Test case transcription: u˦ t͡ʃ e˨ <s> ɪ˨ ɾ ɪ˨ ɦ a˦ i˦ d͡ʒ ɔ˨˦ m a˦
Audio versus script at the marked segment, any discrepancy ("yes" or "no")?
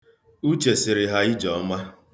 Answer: no